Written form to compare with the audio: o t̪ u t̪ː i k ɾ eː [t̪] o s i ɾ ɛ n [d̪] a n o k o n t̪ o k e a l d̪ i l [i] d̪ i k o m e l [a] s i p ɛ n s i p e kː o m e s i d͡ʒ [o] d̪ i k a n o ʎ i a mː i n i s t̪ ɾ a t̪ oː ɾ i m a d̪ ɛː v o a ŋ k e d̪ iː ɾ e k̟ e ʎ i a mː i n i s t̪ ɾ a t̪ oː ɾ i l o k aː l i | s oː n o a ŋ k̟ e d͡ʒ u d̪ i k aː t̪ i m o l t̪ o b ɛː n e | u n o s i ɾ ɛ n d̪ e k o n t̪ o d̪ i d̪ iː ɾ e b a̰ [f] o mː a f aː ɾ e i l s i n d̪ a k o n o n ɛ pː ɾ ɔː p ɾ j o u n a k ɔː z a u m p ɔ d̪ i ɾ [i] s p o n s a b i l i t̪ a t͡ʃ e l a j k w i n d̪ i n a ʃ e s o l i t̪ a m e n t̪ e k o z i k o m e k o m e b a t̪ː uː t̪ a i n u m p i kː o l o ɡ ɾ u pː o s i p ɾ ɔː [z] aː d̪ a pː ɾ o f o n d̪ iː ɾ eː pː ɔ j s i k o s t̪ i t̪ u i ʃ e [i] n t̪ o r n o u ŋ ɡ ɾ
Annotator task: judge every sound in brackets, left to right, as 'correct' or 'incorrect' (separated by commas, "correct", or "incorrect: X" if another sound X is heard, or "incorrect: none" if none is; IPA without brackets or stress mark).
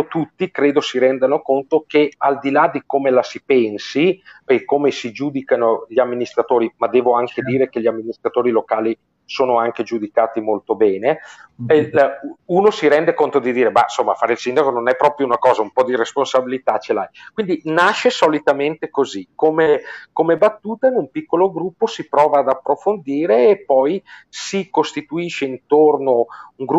incorrect: d̪, correct, incorrect: a, correct, incorrect: u, incorrect: s, incorrect: e, incorrect: v, correct